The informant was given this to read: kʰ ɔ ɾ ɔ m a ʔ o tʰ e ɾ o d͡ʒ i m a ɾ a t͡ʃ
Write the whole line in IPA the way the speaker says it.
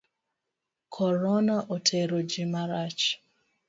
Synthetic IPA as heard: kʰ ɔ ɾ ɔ n a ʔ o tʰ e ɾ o d͡ʒ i m a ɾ a t͡ʃ